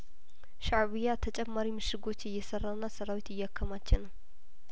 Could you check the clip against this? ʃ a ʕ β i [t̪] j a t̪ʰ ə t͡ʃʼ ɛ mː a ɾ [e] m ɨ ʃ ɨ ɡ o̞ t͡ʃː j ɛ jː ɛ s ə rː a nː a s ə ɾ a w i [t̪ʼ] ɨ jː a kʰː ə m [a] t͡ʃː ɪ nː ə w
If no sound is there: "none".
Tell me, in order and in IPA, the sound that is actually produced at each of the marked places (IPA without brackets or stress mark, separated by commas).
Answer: none, i, t̪, a